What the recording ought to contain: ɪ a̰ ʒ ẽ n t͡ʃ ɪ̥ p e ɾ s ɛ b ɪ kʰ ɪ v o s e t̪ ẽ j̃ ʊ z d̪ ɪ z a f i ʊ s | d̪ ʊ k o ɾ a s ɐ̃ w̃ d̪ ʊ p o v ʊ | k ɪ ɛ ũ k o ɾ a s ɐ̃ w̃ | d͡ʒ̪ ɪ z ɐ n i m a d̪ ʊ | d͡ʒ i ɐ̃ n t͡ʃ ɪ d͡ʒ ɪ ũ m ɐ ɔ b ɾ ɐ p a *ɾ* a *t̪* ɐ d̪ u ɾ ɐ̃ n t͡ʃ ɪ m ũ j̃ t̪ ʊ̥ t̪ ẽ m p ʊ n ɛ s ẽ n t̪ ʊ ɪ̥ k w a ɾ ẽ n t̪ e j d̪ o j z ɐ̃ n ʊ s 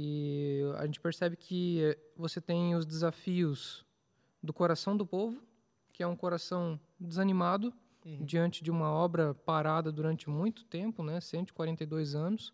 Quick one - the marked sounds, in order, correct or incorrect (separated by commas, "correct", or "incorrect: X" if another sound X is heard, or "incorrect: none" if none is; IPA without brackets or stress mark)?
correct, incorrect: d̪